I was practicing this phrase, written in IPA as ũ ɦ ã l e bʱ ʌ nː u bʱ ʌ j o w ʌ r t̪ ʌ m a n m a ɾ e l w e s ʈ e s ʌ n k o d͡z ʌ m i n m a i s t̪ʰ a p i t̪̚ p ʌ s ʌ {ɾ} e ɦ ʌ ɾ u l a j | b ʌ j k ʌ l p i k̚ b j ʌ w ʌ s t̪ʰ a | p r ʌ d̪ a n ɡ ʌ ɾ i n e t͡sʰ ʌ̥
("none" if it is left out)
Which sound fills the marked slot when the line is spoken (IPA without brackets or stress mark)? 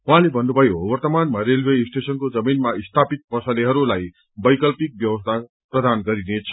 l